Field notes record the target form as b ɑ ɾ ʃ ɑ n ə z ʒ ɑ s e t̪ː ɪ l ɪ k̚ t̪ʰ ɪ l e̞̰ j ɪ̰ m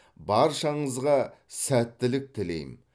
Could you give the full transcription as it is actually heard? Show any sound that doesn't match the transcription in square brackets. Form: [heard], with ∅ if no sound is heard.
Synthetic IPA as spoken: b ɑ ɾ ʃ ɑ [ɴ] ə z [ʁ] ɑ s [æ] t̪ː ɪ l ɪ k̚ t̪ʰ ɪ l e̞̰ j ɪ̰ m